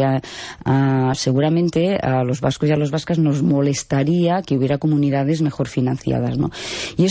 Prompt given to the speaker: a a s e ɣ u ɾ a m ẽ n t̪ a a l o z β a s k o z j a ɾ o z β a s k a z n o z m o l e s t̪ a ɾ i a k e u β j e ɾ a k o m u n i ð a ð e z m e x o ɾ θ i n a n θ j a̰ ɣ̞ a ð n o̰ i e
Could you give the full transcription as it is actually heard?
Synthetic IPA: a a s e ɣ u ɾ a m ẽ n t̪ e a l o z β a s k o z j a l o z β a s k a z n o z m o l e s t̪ a ɾ i a k e u β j e ɾ a k o m u n i ð a ð e z m e x o ɾ f i n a n θ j a̰ ð̞ a z n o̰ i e

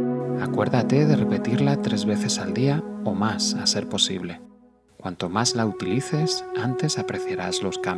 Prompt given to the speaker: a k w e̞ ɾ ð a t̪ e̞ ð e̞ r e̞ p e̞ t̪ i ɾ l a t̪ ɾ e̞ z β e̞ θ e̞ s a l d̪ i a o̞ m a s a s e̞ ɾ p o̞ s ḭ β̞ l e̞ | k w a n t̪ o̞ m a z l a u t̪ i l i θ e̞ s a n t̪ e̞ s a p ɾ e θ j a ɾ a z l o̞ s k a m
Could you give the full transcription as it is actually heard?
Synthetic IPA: a k w e̞ ɾ ð a t̪ e̞ ð e̞ r e̞ p e̞ t̪ i ɾ l a t̪ ɾ e̞ z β e̞ θ e̞ s a l d̪ i a o̞ m a s a s e̞ ɾ p o̞ s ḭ β̞ l e̞ | k w a n t̪ o̞ m a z l a u t̪ i l i θ e̞ s a n t̪ e̞ s a p ɾ e θ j a ɾ a z l o̞ s k a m

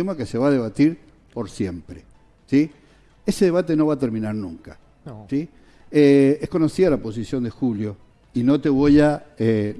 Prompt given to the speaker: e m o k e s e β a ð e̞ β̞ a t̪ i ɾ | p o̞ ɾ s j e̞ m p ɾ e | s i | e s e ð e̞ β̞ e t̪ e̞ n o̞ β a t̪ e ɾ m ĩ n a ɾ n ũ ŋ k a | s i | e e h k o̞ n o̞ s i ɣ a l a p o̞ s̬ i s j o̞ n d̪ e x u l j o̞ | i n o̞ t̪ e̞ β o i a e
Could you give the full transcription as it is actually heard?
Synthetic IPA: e m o k e s e β a ð e̞ β̞ a t̪ i ɾ | p o̞ ɾ s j e̞ m p ɾ e | s i | e s e ð e̞ β̞ a t̪ e̞ n o̞ β a t̪ e ɾ m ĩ n a ɾ n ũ ŋ k a | s i | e e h k o̞ n o̞ s i ð a l a p o̞ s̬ i s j o̞ n d̪ e x u l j o̞ | i n o̞ t̪ e̞ β o j a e

